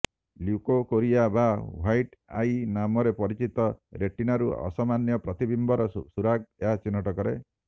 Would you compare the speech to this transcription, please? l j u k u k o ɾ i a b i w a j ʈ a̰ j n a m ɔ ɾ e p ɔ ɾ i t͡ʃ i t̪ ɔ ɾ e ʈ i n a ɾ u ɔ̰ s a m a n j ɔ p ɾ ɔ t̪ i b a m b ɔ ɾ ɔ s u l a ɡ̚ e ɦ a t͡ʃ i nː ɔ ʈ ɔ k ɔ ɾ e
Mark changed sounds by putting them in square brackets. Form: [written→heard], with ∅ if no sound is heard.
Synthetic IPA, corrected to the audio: l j u k [u→o] k o ɾ i a b [i→a] w a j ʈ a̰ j n a m ɔ ɾ e p ɔ ɾ i t͡ʃ i t̪ ɔ ɾ e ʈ i n a ɾ u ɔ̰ s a m a n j ɔ p ɾ ɔ t̪ i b [a→i] m b ɔ ɾ ɔ s u [l→ɾ] a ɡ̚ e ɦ a t͡ʃ i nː ɔ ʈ ɔ k ɔ ɾ e